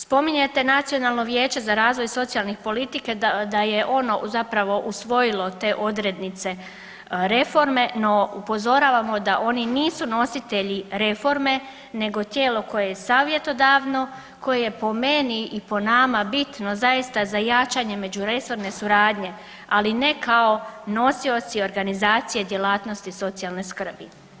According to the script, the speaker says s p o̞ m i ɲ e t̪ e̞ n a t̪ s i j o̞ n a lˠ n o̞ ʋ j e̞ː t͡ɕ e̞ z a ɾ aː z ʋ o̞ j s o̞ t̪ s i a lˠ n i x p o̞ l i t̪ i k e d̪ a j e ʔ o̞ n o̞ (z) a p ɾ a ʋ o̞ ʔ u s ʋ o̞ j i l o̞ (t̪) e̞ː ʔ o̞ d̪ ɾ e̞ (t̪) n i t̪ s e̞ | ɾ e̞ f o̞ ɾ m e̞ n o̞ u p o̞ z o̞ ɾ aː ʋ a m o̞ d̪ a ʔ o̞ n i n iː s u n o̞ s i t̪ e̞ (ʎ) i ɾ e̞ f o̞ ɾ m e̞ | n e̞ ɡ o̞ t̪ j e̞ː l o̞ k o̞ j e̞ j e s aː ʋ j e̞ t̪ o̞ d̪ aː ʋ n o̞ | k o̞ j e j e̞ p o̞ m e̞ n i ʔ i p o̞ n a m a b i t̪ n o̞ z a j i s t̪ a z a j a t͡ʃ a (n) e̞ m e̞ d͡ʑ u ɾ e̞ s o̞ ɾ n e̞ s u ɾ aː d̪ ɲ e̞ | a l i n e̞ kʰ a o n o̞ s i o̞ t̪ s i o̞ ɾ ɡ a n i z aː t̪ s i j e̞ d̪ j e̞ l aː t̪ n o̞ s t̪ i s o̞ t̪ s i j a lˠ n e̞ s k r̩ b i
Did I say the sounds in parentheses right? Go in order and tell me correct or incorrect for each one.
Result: correct, correct, incorrect: d̪, correct, incorrect: ɲ

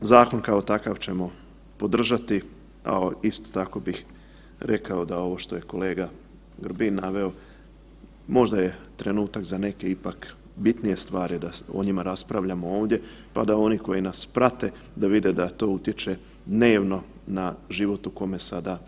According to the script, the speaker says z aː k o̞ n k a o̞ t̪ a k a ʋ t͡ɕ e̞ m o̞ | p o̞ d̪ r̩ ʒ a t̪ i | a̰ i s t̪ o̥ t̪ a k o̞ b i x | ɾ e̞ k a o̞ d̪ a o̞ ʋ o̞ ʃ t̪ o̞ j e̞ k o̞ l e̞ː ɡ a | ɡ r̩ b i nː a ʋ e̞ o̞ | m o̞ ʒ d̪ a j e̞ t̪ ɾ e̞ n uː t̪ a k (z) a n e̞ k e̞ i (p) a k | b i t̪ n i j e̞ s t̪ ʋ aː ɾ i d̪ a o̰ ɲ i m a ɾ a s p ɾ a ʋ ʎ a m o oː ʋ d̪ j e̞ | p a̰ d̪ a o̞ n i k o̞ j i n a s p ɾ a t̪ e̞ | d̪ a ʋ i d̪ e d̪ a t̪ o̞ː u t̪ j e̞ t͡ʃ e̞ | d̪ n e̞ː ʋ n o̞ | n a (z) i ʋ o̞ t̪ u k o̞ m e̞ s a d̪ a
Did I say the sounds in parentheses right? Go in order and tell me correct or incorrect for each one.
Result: correct, correct, incorrect: ʒ

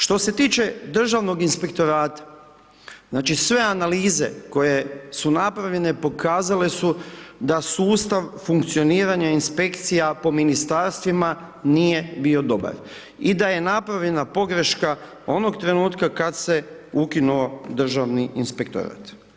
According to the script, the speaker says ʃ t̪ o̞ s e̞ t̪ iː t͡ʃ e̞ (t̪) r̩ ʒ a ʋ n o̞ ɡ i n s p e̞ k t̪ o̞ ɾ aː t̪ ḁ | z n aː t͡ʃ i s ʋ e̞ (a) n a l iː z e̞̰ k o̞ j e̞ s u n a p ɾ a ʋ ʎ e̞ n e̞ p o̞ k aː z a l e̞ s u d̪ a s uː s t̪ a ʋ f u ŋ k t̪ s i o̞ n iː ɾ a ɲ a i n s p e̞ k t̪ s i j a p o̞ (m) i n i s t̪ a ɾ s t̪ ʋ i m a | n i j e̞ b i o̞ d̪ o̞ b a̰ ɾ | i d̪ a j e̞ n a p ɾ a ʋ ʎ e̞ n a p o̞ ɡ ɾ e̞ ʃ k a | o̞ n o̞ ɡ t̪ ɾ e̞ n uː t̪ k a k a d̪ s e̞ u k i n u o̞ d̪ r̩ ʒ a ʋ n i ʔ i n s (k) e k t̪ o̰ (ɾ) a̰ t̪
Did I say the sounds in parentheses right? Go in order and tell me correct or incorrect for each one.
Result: incorrect: d̪, correct, correct, incorrect: p, correct

